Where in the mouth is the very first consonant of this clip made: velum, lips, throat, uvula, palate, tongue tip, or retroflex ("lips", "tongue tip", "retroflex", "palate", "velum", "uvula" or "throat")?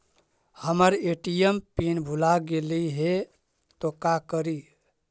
throat